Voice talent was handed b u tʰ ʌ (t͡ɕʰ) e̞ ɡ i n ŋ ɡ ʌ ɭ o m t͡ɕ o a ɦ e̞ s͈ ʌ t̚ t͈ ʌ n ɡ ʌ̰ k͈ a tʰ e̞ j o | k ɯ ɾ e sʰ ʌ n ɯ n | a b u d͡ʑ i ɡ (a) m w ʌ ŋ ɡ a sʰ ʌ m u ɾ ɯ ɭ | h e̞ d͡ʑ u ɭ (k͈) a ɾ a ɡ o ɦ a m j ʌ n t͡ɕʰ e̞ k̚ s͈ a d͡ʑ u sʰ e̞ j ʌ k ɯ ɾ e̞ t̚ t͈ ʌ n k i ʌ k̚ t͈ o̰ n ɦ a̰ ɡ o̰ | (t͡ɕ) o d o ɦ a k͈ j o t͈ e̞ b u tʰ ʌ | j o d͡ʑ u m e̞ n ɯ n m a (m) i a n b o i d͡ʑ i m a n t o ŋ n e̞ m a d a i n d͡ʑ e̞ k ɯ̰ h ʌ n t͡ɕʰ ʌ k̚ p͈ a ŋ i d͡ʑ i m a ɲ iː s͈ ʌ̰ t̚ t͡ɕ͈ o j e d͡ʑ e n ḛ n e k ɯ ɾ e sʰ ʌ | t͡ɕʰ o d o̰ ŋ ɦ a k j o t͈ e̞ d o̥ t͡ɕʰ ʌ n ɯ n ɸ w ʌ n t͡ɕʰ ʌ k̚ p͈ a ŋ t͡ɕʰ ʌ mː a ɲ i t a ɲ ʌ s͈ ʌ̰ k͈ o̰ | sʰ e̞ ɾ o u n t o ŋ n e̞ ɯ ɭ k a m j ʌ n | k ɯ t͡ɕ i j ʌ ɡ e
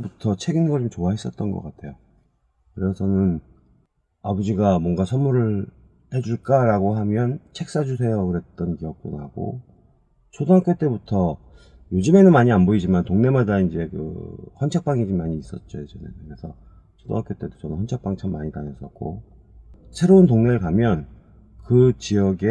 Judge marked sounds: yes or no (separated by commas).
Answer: yes, yes, yes, no, no